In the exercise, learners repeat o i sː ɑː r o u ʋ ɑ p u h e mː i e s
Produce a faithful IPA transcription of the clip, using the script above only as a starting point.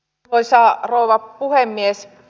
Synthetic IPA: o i s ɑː r o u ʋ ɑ p u h e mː i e s